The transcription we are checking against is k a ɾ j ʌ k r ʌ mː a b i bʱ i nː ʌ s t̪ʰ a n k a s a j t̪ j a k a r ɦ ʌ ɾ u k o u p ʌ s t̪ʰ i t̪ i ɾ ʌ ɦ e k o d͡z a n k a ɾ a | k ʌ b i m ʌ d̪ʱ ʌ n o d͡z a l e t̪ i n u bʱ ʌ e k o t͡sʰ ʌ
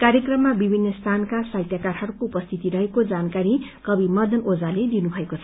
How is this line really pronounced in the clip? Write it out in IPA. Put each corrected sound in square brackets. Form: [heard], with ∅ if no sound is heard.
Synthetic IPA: k a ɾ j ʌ k r ʌ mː a b i bʱ i nː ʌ s t̪ʰ a n k a s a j t̪ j a k a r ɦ ʌ ɾ u k o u p ʌ s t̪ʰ i t̪ i ɾ ʌ ɦ e k o d͡z a n k a ɾ [i] | k ʌ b i m ʌ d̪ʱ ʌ n o d͡z a l e [d̪] i n u bʱ ʌ e k o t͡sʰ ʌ